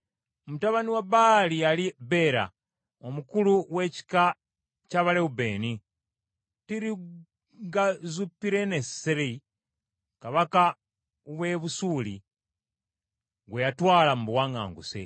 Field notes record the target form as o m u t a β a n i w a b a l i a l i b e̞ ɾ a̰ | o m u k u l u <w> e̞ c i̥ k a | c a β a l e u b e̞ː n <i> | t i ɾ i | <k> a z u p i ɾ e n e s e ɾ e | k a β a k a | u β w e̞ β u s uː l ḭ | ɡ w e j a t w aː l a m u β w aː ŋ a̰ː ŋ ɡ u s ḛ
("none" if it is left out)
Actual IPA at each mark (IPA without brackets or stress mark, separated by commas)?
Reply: w, i, ɡ